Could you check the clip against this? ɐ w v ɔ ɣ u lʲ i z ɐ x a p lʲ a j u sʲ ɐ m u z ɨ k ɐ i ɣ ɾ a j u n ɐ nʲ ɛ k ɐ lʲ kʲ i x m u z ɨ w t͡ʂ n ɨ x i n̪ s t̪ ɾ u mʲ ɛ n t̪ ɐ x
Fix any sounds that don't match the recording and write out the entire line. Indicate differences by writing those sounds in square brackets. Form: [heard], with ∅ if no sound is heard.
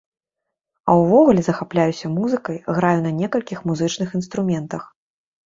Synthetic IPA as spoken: ɐ w v ɔ ɣ u lʲ [ɛ] z ɐ x a p lʲ a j u sʲ ɐ m u z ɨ k ɐ [j] ɣ ɾ a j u n ɐ nʲ ɛ k ɐ lʲ kʲ i x m u z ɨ [∅] t͡ʂ n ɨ x i n̪ s t̪ ɾ u mʲ ɛ n t̪ ɐ x